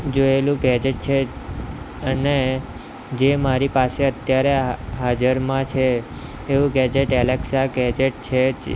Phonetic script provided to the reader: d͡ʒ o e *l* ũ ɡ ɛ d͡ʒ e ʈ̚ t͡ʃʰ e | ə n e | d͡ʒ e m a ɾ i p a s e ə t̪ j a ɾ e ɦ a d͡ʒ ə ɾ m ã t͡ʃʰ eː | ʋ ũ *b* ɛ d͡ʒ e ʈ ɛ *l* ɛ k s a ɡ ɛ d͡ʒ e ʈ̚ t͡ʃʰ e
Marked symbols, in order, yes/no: yes, no, yes

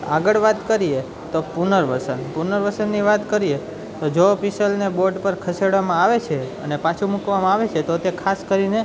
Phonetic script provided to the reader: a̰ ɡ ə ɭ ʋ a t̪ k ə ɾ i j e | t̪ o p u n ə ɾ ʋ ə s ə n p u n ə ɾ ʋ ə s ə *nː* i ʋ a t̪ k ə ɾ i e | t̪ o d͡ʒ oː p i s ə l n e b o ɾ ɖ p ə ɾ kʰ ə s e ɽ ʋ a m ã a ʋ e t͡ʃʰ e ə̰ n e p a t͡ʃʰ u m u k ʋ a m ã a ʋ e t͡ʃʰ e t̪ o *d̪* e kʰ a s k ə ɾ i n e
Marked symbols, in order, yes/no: yes, no

